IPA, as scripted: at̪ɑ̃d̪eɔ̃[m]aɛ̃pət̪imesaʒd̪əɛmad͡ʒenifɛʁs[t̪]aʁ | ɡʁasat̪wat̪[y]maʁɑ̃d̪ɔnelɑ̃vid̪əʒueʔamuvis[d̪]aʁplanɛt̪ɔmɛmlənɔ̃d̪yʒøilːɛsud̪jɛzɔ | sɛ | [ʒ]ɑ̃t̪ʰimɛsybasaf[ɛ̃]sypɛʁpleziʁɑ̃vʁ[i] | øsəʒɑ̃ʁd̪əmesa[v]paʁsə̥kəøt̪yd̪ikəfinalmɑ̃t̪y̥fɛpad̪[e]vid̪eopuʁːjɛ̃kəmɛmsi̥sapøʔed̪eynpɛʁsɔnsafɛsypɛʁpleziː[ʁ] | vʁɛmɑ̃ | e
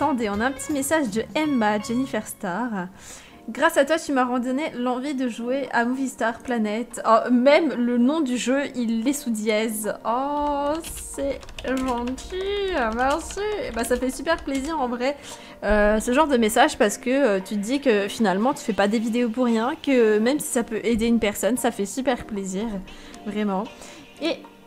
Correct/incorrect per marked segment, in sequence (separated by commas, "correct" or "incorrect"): incorrect, correct, correct, incorrect, correct, incorrect, incorrect, incorrect, correct, correct